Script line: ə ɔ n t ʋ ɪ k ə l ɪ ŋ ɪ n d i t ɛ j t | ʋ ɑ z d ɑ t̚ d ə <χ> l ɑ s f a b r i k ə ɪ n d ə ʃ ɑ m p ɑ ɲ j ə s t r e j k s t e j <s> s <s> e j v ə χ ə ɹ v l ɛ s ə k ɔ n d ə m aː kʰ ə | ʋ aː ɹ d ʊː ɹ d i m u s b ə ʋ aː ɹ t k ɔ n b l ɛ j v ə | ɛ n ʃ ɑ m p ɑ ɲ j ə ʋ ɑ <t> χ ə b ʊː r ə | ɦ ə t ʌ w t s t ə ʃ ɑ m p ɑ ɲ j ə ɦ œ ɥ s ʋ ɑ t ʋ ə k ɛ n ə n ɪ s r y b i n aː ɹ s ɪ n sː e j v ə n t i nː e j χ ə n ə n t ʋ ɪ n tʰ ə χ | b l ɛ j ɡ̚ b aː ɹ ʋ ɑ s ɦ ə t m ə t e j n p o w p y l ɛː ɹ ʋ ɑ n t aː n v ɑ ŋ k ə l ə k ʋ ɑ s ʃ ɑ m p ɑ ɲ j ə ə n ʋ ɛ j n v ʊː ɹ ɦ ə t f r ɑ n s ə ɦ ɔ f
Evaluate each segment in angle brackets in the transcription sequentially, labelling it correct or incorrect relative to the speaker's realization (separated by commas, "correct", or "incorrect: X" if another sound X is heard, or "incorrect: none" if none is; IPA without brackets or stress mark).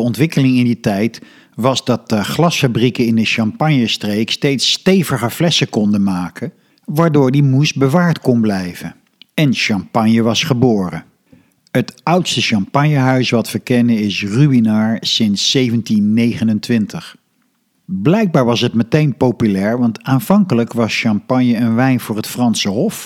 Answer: correct, incorrect: t, incorrect: t, incorrect: s